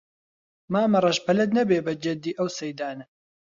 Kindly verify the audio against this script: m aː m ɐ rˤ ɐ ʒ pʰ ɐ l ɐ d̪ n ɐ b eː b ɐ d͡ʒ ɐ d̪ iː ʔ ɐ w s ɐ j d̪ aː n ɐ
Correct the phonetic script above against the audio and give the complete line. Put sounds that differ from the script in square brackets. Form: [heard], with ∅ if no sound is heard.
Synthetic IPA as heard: m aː m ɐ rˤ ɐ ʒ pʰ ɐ l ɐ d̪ n ɐ b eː b ɐ d͡ʒ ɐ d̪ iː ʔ ɐ w s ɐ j d̪ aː n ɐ